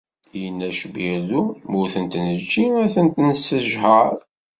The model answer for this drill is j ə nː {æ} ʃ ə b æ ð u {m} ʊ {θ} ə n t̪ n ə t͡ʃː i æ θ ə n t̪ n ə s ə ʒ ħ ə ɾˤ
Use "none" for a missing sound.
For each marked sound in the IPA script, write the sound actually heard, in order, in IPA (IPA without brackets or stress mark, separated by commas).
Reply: æ, m, θ